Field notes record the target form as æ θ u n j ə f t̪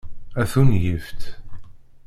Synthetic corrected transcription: æ θ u n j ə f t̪